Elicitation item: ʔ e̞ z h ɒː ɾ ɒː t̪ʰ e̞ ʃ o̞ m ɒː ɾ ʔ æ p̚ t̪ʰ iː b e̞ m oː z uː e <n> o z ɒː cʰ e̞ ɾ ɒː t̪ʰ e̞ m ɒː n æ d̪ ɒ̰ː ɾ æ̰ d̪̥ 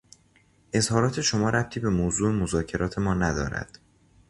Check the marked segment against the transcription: incorrect: m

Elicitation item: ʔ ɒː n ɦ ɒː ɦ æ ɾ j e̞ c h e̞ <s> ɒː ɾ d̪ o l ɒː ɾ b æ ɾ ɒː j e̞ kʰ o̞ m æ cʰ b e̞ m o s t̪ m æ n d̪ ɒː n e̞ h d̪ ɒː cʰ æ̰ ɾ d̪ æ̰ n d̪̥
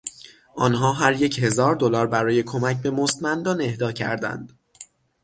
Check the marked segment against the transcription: incorrect: z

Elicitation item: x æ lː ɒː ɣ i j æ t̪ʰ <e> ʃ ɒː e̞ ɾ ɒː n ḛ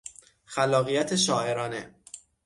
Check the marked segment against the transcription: correct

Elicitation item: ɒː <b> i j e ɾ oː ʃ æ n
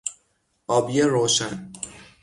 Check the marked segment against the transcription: correct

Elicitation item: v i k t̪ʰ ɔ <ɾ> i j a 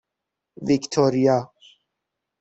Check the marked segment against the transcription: correct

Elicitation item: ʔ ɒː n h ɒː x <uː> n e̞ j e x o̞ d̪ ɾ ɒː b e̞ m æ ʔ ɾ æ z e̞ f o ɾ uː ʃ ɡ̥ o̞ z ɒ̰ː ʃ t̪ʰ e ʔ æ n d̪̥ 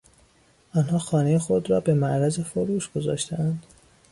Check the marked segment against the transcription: incorrect: ɒː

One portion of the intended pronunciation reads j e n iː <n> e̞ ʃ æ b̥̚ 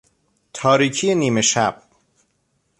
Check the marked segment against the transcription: incorrect: m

